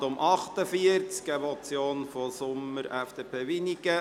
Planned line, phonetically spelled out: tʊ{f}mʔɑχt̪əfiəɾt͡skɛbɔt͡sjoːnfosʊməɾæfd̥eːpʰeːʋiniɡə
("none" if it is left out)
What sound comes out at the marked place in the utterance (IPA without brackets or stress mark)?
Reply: none